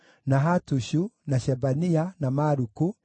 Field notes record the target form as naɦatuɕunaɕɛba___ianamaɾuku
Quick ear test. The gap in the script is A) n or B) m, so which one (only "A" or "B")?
A